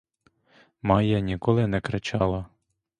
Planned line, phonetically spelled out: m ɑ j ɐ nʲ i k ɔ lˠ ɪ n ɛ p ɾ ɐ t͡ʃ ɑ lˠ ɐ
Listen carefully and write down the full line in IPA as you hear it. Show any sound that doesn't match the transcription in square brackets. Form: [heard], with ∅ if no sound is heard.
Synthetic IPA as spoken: m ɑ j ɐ nʲ i k ɔ lˠ ɪ n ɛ [k] ɾ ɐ t͡ʃ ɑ lˠ ɐ